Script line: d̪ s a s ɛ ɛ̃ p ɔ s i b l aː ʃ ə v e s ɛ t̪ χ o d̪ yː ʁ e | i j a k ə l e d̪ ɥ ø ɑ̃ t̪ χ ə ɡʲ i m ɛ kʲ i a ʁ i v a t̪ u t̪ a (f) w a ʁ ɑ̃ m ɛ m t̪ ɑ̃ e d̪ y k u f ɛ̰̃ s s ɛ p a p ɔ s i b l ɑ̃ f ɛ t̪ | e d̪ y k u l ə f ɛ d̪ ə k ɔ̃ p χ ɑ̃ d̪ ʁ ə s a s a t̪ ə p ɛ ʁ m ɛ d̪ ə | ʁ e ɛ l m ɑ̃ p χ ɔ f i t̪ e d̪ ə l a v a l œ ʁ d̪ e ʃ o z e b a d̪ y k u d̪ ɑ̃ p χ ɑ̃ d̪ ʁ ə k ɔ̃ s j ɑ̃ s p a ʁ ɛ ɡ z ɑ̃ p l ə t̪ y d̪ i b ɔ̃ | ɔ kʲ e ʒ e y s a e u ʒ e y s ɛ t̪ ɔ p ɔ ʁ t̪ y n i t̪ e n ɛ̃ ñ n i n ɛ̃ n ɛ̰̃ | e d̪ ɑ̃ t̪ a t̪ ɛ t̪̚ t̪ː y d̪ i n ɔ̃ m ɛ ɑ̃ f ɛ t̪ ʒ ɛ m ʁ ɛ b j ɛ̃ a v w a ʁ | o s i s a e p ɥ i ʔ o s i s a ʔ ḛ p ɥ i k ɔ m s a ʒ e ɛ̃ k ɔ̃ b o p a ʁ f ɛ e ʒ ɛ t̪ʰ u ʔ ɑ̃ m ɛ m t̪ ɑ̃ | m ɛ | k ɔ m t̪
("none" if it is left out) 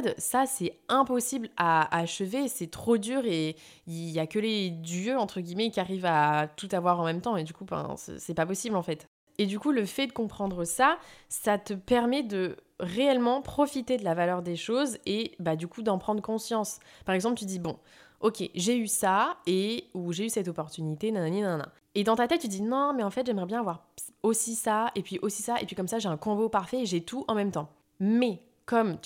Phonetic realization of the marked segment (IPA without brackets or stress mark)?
v